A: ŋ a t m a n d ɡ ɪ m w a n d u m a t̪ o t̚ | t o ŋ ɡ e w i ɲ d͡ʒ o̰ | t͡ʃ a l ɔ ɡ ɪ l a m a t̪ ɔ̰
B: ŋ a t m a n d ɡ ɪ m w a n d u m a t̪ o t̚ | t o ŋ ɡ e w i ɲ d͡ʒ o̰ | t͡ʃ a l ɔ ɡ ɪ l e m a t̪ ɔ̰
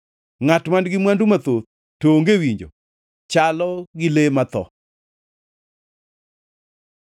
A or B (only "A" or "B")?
B